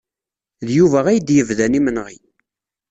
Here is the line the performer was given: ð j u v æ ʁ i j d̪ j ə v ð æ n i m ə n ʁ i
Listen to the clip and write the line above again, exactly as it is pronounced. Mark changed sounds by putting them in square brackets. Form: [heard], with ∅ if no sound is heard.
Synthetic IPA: ð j u v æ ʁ [æ] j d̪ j ə v ð æ n i m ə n ʁ i

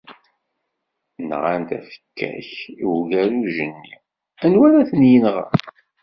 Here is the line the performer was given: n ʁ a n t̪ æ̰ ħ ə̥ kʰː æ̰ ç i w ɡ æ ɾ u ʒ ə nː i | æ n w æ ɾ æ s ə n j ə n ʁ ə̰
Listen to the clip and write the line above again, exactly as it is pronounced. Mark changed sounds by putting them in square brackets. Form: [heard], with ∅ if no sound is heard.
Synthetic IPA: n ʁ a n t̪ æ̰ [f] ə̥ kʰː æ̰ ç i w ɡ æ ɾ u ʒ ə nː i | æ n w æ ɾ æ [θ] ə n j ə n ʁ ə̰

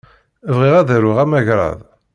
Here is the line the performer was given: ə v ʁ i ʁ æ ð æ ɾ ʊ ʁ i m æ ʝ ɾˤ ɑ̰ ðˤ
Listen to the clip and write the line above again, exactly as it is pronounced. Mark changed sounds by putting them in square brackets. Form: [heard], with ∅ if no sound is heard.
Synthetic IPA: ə v ʁ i ʁ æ ð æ ɾ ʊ ʁ [æ] m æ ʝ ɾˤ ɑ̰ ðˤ

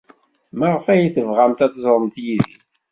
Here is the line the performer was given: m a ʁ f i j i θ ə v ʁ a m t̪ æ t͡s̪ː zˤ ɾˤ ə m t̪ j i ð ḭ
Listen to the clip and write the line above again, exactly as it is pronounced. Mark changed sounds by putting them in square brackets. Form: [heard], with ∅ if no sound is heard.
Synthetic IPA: m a ʁ f [æ] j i θ ə v ʁ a m t̪ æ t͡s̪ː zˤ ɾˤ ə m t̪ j i ð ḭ

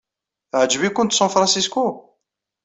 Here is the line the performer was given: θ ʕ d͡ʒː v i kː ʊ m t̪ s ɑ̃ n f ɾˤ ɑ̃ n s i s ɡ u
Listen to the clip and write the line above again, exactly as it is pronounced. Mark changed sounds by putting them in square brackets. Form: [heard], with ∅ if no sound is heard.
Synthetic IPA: θ ʕ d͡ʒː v i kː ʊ [n] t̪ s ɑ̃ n f ɾˤ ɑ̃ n s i s [k] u

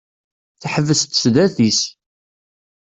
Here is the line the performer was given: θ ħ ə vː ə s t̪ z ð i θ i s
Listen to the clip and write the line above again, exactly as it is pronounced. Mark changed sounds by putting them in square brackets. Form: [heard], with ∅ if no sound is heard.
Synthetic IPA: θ ħ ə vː ə s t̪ [s] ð [æ] θ i s

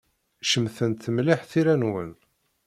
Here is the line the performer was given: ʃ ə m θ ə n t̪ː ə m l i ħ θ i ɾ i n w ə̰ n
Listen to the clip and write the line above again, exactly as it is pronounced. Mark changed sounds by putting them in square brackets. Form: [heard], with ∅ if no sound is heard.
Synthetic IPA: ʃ ə m θ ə n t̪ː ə m l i ħ θ i ɾ [æ] n w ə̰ n

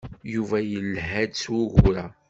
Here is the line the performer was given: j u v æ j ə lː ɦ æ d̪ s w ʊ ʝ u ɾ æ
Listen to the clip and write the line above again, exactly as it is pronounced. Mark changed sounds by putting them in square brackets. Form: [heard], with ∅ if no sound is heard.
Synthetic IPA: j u v æ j ə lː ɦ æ d̪ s w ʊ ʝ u ɾ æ

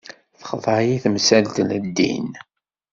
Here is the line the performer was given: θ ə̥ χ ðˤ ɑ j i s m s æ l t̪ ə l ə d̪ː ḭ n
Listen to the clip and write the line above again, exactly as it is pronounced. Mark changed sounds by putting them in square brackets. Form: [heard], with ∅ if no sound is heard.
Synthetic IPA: θ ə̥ χ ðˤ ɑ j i [θ] m s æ l t̪ ə l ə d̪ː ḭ n

